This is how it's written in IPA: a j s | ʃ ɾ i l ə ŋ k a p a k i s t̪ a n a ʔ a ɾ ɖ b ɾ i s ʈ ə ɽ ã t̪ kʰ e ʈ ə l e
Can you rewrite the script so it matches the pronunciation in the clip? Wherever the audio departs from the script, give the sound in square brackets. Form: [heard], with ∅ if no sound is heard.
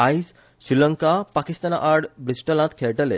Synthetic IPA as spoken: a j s | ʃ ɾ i l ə ŋ k a p a k i s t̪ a n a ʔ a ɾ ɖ b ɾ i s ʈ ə [l] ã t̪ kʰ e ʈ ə l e